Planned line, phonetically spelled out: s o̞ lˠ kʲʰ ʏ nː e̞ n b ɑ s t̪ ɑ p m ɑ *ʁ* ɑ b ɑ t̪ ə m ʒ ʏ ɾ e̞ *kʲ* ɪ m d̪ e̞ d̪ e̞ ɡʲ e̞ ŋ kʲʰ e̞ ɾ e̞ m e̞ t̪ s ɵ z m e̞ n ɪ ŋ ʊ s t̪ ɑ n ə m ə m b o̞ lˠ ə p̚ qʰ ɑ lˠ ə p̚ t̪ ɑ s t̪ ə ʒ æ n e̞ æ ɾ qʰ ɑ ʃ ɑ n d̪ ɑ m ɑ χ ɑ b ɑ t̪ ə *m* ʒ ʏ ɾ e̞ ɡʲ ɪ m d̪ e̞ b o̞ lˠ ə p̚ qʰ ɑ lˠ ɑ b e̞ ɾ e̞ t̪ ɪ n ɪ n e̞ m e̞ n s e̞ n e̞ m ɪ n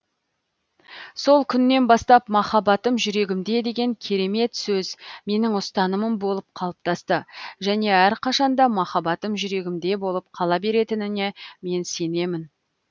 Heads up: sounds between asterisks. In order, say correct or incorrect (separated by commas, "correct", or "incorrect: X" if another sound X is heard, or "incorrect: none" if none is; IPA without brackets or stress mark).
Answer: incorrect: χ, incorrect: ɡʲ, correct